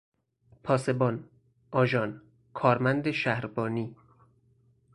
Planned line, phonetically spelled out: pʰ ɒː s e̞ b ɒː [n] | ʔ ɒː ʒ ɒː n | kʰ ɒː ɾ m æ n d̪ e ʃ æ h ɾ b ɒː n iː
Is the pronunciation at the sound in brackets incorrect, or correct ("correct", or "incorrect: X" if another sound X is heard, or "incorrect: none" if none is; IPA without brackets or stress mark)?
correct